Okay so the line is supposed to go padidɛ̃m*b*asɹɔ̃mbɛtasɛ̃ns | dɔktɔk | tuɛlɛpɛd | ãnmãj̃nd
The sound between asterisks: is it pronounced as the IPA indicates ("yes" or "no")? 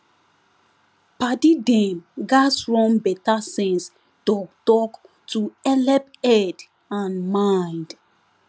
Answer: no